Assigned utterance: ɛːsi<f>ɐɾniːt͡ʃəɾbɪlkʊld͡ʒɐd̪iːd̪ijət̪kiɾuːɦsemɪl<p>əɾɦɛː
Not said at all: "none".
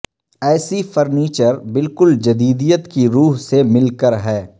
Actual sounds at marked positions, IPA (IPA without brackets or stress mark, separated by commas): f, k